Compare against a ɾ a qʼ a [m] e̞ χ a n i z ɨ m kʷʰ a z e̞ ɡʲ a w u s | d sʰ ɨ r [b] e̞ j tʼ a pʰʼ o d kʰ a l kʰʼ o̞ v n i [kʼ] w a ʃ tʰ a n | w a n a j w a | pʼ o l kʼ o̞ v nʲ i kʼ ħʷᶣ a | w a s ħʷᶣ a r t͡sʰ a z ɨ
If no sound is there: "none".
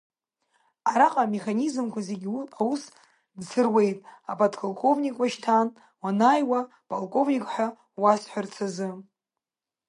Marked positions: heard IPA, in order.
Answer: m, w, kʼ

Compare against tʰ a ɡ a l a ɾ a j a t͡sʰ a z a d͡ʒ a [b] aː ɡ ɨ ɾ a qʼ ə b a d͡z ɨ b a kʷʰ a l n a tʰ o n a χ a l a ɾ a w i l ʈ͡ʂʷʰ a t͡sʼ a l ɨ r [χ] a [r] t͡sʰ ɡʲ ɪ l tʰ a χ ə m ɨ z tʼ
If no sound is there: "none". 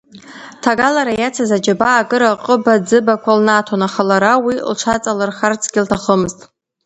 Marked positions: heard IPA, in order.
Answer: b, χ, r

